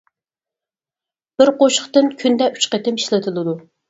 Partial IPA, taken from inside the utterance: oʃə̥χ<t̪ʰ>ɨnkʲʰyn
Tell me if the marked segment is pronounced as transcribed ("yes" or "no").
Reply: no